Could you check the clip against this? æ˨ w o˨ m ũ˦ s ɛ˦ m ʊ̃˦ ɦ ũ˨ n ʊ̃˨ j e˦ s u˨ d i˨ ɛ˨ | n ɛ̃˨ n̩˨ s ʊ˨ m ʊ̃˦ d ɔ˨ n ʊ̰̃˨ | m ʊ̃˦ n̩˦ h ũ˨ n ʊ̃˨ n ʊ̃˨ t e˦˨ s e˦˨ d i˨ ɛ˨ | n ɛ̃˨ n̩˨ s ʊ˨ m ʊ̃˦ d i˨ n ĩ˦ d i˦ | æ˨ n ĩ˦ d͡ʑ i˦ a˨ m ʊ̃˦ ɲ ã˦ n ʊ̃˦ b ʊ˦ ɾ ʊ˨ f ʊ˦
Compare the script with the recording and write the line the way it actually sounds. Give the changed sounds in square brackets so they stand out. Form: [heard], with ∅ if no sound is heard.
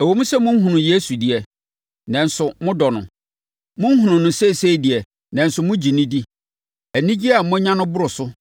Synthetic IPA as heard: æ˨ w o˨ m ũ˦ s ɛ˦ m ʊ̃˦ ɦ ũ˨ n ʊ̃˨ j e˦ s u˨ d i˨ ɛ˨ | n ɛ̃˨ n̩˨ s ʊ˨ m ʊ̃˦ d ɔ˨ n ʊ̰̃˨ | m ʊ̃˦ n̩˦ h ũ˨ n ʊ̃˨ n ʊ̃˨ [s] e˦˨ s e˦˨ d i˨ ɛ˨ | n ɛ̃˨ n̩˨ s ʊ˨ m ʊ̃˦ [d͡ʑ] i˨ n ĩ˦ d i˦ | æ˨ n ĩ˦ d͡ʑ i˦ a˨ m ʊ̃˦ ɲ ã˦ n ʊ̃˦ b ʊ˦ ɾ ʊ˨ [s] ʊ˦